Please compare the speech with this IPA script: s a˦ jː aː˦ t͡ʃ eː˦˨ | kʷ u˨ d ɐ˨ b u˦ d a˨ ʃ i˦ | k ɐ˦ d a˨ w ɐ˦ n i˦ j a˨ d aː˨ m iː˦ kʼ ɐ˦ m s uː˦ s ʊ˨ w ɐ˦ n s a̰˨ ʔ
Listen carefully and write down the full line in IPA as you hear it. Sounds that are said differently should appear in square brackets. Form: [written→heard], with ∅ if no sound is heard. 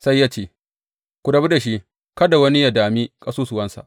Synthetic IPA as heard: s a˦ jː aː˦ t͡ʃ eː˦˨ | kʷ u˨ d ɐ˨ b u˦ d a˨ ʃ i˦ | k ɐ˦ d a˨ w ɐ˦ n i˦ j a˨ d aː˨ m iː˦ kʼ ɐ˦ [m→∅] s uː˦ s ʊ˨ w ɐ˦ n s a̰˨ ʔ